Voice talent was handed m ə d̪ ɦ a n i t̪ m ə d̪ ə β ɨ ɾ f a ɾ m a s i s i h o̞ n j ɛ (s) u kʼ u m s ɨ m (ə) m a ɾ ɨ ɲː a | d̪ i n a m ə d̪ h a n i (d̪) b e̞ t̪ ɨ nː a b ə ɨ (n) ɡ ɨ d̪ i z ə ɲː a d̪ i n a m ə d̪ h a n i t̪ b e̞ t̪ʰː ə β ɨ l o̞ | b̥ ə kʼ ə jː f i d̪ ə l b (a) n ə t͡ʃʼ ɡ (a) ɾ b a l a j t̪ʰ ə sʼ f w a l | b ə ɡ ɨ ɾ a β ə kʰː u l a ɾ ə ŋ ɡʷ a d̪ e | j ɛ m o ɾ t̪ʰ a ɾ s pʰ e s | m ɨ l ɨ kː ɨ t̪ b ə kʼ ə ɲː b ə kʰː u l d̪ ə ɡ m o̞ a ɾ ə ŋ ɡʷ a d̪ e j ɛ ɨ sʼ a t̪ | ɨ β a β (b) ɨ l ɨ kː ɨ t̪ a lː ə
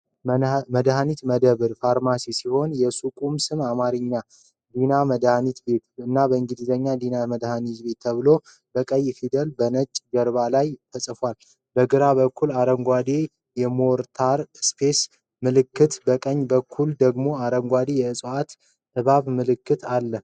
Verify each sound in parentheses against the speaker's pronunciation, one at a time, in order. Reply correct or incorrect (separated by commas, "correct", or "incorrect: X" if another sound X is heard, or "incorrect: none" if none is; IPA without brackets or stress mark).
correct, incorrect: a, incorrect: t̪, incorrect: ŋ, incorrect: ə, incorrect: ə, incorrect: m